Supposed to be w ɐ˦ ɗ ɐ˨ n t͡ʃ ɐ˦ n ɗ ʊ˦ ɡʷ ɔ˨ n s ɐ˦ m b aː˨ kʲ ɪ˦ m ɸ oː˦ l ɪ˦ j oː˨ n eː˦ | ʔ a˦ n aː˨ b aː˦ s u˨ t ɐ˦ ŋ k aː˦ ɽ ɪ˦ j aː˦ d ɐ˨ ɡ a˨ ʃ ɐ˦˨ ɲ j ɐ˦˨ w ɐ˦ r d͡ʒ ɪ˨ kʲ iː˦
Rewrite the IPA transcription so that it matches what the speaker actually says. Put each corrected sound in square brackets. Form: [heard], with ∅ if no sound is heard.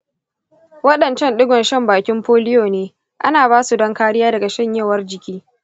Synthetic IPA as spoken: w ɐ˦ ɗ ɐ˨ n t͡ʃ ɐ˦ n ɗ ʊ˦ ɡʷ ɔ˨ n [ʃ] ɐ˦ m b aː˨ kʲ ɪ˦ m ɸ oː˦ l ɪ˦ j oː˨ n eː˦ | ʔ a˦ n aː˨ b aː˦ s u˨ [d] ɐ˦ ŋ k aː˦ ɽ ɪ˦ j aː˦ d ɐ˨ ɡ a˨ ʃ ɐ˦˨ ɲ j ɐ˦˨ w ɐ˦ r d͡ʒ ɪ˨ kʲ iː˦